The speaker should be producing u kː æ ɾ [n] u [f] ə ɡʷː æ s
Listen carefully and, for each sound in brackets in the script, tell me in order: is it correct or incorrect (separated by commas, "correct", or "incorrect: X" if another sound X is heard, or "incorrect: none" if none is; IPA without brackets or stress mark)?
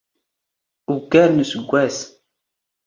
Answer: correct, incorrect: s